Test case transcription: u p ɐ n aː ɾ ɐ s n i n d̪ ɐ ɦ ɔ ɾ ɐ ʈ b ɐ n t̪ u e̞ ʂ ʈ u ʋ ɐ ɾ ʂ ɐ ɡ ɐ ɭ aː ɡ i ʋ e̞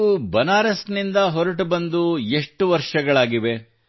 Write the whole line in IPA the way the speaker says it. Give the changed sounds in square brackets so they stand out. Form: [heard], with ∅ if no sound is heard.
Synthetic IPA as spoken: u [b] ɐ n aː ɾ ɐ s n i n d̪ ɐ ɦ ɔ ɾ ɐ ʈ b ɐ n [d̪] u e̞ ʂ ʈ u ʋ ɐ ɾ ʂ ɐ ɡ ɐ ɭ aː ɡ i ʋ e̞